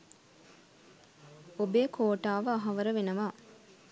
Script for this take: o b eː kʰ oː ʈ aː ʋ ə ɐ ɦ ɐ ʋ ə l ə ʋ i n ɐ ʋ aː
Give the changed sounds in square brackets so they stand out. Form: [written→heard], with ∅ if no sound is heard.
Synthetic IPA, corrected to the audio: o b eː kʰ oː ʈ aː ʋ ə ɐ ɦ ɐ ʋ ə [l→ɾ] ə ʋ [i→e] n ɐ ʋ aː